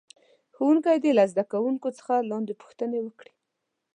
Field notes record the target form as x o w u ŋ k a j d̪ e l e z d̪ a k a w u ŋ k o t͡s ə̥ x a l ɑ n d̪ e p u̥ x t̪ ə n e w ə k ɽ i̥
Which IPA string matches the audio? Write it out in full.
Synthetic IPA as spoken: x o w u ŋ k a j d̪ e l a z d̪ a k a w u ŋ k o t͡s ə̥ x a l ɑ n d̪ e p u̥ x t̪ ə n e w ə k ɽ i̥